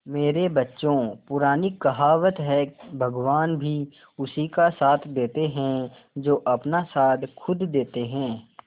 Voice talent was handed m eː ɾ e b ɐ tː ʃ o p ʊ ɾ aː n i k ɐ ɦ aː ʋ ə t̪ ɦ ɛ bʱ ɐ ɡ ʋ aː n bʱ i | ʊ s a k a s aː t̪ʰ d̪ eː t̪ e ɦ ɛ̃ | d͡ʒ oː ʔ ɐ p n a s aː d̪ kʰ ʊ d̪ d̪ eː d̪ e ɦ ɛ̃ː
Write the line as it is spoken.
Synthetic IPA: m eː ɾ e b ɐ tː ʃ õ p ʊ ɾ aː n i k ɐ ɦ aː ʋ ə t̪ ɦ ɛ bʱ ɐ ɡ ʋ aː n bʱ i | ʊ s i k a s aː t̪ʰ d̪ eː t̪ e ɦ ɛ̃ | d͡ʒ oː ʔ ɐ p n a s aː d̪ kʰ ʊ d̪ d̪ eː t̪ e ɦ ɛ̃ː

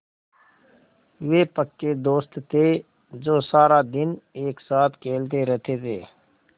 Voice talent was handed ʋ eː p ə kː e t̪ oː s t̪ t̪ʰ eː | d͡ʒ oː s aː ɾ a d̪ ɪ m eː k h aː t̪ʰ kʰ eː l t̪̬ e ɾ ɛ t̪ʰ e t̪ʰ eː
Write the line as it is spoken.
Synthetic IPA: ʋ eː p ə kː e d̪ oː s t̪ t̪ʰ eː | d͡ʒ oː s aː ɾ a d̪ ɪ n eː k s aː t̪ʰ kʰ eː l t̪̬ e ɾ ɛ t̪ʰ e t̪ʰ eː

